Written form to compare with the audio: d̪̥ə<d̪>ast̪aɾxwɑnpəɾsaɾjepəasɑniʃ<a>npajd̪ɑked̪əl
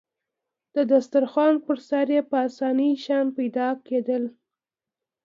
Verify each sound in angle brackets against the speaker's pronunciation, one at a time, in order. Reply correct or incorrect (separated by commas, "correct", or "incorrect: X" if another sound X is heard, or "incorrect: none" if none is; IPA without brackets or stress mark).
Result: correct, incorrect: ɑ